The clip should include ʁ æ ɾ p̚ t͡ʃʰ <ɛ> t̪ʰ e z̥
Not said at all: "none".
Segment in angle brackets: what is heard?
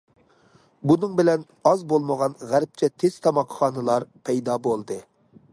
ɛ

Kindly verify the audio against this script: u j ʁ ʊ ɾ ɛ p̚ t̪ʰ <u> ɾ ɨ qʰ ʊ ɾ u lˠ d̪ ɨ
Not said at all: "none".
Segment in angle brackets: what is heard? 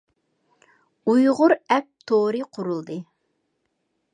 o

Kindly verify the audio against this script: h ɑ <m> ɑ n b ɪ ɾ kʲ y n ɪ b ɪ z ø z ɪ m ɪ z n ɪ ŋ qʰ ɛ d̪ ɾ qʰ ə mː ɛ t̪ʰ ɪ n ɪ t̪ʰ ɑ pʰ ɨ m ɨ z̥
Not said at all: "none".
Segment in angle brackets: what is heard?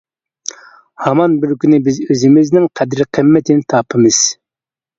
m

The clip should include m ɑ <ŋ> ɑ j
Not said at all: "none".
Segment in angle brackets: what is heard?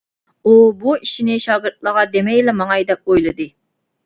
ŋ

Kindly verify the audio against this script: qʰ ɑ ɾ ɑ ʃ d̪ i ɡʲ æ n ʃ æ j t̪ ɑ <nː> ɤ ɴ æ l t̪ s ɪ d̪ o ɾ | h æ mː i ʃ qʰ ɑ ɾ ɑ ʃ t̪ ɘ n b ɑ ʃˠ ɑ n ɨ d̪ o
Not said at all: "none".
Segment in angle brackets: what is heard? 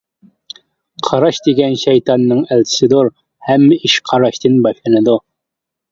nː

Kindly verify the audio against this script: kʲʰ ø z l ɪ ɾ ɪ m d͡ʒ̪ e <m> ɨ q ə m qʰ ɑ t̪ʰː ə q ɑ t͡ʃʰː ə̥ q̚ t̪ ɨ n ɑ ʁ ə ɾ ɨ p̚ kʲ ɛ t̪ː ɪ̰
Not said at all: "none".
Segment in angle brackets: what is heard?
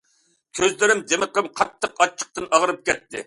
m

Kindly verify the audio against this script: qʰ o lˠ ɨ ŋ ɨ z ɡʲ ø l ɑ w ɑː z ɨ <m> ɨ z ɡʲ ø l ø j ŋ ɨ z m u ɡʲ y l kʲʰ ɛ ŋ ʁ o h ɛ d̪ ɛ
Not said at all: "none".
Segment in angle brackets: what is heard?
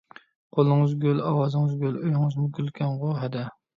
ŋ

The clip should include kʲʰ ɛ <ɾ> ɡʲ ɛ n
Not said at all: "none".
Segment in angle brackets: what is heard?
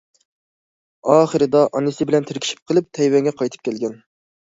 l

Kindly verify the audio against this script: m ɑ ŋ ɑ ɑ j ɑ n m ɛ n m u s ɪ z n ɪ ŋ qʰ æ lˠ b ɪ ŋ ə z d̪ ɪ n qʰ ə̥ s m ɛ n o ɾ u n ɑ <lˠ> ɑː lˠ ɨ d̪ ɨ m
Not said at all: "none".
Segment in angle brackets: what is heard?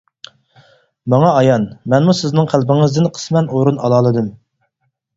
lˠ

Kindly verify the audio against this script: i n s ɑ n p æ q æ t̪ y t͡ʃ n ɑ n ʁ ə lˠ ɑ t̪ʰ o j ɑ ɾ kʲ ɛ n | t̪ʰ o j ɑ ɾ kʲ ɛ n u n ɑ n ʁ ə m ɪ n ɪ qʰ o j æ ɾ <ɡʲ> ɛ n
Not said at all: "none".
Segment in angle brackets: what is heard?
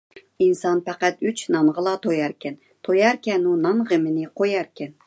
kʲ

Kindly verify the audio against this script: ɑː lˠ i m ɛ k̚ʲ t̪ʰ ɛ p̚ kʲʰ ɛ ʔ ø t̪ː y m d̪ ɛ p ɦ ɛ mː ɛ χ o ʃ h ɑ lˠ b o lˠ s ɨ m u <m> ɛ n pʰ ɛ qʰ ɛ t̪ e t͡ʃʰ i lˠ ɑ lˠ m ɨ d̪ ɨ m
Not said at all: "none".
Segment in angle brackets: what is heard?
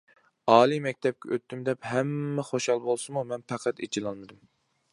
m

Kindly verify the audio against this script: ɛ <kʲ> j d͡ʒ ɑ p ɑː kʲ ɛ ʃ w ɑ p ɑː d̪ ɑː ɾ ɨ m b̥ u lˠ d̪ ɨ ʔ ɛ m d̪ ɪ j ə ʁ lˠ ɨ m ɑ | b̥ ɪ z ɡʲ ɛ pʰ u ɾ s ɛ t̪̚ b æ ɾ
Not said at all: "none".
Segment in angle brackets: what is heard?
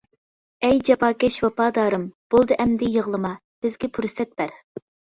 none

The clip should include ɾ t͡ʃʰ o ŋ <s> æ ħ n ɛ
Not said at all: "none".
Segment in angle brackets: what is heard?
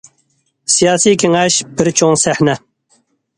s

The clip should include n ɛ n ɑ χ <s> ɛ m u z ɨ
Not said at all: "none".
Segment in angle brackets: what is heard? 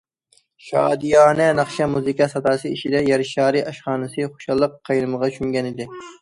ʃ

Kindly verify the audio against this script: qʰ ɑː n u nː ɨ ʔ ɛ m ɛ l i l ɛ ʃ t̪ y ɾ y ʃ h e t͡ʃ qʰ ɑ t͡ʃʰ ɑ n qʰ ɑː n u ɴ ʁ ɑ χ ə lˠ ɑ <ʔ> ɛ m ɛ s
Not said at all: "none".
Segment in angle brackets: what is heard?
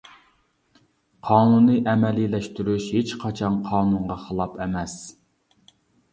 p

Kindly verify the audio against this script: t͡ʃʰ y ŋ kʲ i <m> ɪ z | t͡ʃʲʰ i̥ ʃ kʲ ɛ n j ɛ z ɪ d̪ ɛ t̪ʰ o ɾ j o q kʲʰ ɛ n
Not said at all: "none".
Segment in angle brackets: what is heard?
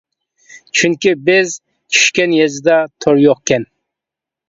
b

